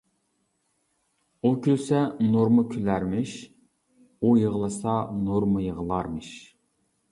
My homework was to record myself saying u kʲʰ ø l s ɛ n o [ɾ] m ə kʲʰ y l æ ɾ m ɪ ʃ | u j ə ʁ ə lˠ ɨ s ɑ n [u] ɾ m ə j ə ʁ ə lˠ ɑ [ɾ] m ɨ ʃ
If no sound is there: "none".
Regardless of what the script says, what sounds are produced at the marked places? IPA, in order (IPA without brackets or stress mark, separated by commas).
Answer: ɾ, o, ɾ